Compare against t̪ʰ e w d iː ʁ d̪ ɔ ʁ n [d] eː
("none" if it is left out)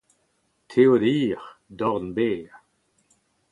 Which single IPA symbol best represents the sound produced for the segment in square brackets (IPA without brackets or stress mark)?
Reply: b